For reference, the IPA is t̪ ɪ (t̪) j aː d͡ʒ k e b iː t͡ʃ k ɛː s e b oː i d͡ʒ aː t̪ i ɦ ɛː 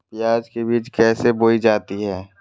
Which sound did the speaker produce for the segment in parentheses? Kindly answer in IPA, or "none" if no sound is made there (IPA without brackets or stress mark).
none